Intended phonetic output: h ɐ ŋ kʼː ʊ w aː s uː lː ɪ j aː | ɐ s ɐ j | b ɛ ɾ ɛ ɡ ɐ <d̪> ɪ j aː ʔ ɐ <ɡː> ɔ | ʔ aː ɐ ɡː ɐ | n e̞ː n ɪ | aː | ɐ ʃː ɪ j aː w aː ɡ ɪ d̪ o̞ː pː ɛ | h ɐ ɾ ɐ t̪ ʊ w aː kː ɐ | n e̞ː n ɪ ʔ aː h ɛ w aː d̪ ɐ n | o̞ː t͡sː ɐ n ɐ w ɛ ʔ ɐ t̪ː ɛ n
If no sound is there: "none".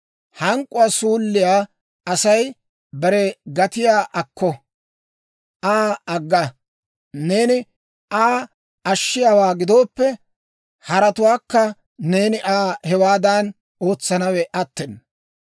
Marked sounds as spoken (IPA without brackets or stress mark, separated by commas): t̪, kː